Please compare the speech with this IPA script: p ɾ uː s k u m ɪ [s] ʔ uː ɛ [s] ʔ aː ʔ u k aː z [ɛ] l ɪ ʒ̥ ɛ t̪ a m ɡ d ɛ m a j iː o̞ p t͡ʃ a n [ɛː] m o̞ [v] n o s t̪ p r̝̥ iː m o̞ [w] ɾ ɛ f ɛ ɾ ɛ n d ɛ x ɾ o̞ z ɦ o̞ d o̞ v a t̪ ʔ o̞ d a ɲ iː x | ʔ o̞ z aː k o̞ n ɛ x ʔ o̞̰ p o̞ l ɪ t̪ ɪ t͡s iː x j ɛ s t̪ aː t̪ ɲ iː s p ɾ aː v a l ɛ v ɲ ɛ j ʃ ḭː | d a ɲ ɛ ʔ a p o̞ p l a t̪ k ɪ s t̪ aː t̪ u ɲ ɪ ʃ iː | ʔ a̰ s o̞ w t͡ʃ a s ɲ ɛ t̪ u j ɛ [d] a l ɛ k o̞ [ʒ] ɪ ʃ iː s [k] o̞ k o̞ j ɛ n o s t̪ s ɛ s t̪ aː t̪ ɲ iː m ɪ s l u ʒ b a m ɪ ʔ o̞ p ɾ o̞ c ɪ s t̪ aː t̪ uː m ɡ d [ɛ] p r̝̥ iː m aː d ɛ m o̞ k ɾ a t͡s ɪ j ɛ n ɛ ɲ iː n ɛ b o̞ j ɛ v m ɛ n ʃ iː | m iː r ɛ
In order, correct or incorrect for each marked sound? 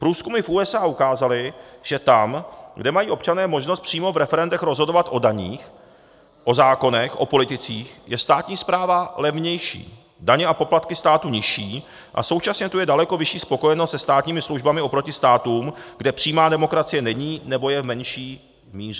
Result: incorrect, correct, incorrect, correct, incorrect, incorrect, correct, incorrect, incorrect, correct

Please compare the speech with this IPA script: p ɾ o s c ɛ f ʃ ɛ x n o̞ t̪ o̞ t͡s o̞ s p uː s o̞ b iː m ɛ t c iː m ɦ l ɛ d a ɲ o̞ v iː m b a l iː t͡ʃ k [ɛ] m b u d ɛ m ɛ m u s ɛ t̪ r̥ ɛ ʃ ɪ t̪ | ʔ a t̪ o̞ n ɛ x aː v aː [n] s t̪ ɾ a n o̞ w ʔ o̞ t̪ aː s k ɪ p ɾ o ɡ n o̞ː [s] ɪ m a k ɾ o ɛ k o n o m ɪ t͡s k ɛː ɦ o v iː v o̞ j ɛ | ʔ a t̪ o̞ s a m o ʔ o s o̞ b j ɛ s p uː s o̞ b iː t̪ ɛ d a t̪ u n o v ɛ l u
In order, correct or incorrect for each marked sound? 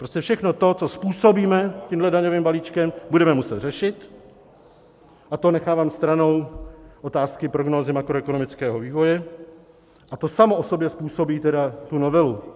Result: correct, incorrect, incorrect

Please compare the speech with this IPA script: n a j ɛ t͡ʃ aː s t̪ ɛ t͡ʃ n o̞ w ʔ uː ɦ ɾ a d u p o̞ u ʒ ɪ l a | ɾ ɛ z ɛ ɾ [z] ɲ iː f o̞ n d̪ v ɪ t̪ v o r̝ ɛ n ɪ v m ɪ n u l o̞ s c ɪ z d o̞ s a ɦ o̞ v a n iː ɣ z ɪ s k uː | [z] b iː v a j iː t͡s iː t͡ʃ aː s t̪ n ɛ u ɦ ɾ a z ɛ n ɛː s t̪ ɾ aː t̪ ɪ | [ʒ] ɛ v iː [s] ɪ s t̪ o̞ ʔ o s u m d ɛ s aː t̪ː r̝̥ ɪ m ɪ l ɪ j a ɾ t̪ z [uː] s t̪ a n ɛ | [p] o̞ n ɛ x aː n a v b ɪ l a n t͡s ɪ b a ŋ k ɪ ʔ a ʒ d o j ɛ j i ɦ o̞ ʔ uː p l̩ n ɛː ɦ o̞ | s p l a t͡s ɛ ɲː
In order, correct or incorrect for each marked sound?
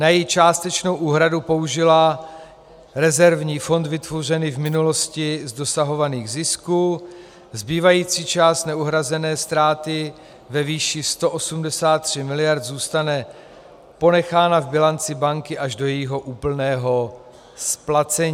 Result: incorrect, correct, incorrect, incorrect, correct, correct

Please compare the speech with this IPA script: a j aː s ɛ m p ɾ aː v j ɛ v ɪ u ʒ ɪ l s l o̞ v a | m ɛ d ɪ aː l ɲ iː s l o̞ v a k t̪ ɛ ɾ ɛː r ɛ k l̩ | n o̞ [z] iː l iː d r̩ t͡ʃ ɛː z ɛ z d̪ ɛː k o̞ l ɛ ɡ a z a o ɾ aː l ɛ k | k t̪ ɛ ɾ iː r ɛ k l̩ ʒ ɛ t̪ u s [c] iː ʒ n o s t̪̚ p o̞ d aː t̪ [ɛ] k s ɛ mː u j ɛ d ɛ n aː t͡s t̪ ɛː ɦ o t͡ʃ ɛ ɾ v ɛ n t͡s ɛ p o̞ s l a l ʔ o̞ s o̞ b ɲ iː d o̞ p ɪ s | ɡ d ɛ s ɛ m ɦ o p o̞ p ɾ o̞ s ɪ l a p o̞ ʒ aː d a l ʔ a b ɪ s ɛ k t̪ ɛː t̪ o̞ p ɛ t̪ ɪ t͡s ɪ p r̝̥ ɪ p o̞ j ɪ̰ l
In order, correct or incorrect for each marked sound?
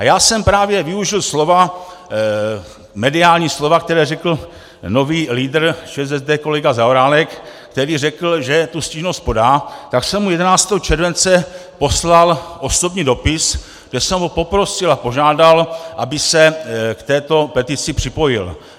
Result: incorrect, correct, incorrect

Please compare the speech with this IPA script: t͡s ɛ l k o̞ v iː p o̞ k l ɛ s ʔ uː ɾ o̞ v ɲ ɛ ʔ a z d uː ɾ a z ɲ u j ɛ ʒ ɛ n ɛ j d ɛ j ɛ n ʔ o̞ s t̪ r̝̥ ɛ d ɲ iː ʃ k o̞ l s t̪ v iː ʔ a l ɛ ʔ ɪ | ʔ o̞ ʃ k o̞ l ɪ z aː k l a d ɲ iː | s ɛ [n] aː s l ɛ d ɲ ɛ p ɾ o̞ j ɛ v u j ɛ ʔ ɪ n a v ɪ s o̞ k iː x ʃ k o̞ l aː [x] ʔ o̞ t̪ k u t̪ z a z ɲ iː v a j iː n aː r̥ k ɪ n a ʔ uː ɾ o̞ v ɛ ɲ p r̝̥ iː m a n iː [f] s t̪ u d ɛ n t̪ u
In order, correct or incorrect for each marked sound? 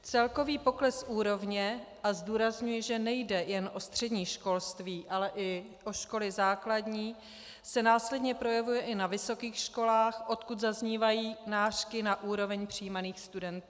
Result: correct, correct, incorrect

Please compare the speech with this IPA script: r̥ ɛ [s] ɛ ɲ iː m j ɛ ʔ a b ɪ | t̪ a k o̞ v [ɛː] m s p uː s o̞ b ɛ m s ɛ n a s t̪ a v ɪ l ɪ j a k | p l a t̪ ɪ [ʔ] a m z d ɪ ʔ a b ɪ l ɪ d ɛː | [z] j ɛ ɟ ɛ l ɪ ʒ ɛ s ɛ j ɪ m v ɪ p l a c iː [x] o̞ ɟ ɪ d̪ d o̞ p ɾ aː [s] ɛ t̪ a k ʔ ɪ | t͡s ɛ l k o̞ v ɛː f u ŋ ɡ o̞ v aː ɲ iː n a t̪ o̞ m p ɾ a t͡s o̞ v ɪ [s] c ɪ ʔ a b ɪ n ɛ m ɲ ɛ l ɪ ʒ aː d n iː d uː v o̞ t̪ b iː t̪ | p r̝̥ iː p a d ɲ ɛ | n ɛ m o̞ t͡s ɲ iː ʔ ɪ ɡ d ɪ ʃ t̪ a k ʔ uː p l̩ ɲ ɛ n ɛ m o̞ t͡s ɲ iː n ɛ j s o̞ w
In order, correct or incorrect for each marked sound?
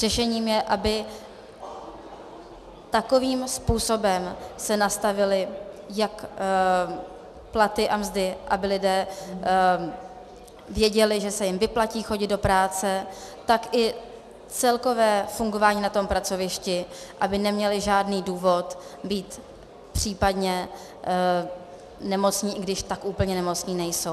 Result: incorrect, incorrect, correct, incorrect, correct, incorrect, incorrect

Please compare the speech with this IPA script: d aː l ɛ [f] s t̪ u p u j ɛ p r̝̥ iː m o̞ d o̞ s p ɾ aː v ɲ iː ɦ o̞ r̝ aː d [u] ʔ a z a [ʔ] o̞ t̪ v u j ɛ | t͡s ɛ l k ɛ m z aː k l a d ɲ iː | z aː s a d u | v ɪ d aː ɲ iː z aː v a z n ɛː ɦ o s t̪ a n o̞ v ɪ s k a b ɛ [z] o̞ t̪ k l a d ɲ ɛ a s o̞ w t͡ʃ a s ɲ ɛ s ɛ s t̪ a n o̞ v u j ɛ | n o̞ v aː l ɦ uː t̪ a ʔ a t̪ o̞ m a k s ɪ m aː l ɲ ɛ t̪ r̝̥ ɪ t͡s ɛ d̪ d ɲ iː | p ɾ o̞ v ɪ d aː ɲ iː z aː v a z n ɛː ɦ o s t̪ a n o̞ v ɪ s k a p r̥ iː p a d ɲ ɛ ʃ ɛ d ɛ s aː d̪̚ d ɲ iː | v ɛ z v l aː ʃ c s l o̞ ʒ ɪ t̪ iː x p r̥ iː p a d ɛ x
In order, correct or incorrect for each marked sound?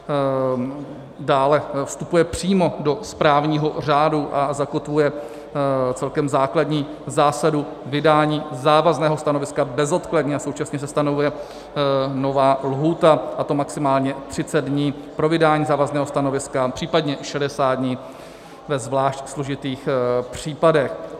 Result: correct, correct, incorrect, correct

